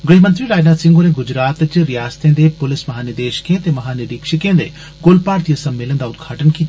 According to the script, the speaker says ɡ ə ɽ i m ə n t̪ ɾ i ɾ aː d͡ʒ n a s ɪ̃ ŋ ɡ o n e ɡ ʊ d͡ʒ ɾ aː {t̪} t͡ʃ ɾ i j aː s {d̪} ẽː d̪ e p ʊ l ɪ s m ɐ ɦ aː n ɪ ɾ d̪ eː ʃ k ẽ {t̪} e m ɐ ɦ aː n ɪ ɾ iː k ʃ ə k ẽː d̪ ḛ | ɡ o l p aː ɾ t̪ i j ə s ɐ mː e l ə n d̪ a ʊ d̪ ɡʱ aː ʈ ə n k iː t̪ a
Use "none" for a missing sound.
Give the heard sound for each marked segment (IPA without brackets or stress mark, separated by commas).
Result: t̪, t̪, t̪